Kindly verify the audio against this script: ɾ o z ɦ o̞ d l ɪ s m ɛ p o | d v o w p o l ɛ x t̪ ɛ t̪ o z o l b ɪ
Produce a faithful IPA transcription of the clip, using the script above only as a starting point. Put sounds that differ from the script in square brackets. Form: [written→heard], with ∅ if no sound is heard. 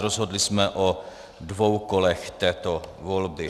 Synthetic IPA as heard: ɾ o z ɦ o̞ d l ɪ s m ɛ [p→ʔ] o | d v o w [p→k] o l ɛ x t̪ [ɛ→ɛː] t̪ o [z→v] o l b ɪ